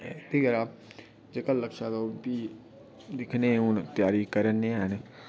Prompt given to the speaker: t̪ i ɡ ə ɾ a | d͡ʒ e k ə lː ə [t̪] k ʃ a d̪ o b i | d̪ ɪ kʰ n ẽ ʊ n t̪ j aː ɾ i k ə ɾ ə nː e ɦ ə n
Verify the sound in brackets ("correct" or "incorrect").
incorrect